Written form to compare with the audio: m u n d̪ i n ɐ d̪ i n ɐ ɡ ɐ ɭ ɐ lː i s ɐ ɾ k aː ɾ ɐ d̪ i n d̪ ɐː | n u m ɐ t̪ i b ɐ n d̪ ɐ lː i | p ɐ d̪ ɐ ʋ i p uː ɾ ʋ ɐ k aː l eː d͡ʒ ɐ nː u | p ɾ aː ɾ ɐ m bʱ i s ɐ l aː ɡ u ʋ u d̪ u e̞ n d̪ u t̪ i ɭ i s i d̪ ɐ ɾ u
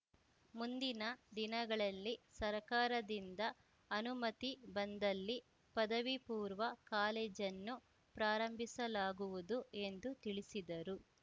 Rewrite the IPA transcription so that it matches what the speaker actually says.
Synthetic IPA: m u n d̪ i n ɐ d̪ i n ɐ ɡ ɐ ɭ ɐ lː i s ɐ ɾ k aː ɾ ɐ d̪ i n d̪ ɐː | n u m ɐ t̪ i b ɐ n d̪ ɐ lː i | p ɐ d̪ ɐ ʋ i p uː ɾ ʋ ɐ k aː l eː d͡ʒ ɐ nː u | p ɾ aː ɾ ɐ m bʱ i s ɐ l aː ɡ u ʋ u d̪ u e̞ n d̪ u t̪ i ɭ i s i d̪ ɐ ɾ u